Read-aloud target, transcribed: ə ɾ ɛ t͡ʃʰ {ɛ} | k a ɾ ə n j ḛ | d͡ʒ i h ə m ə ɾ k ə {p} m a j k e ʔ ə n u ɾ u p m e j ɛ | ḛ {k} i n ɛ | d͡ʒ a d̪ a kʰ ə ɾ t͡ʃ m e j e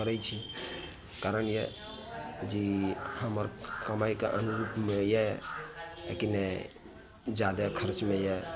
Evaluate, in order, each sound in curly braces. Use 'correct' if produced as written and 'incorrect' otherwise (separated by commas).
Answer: incorrect, incorrect, correct